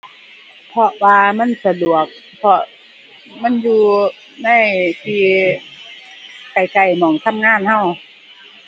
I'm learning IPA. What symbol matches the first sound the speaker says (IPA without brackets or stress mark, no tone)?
pʰ